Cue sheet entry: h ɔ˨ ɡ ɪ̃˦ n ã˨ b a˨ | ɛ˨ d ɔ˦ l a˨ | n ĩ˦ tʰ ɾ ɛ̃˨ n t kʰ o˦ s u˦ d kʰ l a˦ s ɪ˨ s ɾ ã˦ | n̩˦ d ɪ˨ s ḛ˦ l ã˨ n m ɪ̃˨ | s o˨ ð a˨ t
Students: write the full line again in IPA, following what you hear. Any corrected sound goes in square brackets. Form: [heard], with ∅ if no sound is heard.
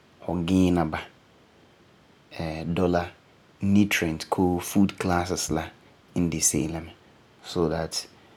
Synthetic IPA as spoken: h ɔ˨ ɡ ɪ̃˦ n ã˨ b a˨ | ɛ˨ d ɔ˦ l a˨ | n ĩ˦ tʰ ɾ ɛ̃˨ n t kʰ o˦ [f] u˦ d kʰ l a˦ s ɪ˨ s [l] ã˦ | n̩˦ d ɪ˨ s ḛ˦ l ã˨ [∅] m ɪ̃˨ | s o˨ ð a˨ t